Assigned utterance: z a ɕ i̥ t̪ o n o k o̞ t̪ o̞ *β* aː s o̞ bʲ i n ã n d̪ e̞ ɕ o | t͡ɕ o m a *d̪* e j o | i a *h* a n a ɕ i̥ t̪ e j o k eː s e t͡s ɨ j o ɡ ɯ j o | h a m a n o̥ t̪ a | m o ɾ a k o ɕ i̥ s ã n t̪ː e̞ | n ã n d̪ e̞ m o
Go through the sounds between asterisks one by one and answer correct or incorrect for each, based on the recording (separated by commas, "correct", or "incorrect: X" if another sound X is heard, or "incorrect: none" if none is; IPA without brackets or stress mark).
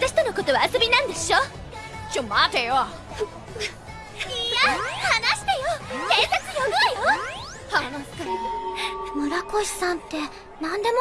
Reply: correct, incorrect: t̪, correct